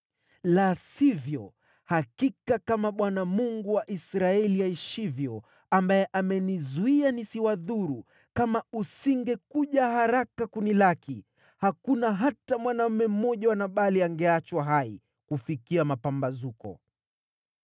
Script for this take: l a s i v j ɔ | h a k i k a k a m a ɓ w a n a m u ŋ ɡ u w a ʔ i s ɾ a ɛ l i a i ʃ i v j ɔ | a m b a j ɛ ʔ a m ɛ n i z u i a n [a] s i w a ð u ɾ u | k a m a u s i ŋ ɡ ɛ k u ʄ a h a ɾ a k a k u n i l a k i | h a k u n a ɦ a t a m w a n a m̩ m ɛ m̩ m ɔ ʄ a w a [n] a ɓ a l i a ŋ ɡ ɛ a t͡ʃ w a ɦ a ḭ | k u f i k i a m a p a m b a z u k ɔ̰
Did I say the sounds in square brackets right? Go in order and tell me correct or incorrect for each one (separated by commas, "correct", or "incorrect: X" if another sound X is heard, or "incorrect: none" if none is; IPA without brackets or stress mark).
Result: incorrect: i, correct